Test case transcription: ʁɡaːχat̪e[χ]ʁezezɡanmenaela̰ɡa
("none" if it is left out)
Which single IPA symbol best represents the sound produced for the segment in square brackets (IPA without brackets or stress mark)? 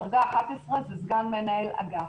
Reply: s